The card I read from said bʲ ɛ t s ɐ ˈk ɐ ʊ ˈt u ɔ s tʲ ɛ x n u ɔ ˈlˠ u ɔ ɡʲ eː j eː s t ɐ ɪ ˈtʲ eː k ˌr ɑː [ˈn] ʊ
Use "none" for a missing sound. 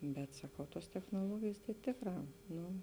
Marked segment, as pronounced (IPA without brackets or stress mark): n